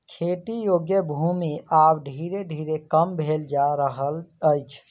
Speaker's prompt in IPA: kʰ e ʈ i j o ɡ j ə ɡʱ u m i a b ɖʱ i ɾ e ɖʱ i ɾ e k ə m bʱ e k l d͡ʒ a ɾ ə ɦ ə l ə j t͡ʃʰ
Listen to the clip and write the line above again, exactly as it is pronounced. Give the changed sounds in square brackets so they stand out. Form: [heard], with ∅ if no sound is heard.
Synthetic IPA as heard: kʰ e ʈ i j o ɡ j ə [bʱ] u m i a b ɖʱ i ɾ e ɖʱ i ɾ e k ə m bʱ e [∅] l d͡ʒ a ɾ ə ɦ ə l ə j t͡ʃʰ